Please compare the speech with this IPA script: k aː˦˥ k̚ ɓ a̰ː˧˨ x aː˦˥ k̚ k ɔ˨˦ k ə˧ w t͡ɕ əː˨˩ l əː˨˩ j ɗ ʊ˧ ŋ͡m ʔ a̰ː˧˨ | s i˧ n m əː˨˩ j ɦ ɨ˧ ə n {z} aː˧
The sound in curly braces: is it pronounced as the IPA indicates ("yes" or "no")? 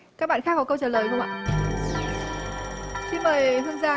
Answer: yes